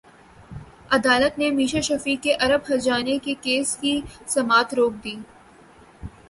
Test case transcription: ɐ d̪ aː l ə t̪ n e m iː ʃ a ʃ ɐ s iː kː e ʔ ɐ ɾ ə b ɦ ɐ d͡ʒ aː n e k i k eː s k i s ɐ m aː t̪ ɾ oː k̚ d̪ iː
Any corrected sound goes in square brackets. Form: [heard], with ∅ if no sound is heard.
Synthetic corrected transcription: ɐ d̪ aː l ə t̪ n e m iː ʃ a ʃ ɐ [f] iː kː e ʔ ɐ ɾ ə b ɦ ɐ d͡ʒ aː n e k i k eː s k i s ɐ m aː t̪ ɾ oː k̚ d̪ iː